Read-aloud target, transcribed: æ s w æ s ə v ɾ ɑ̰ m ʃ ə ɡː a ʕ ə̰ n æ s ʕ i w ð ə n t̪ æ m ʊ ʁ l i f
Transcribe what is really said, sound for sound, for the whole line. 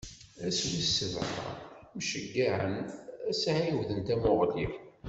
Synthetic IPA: æ s w i s ə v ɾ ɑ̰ m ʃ ə ɡː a ʕ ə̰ n æ s ʕ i w ð ə n t̪ æ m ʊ ʁ l i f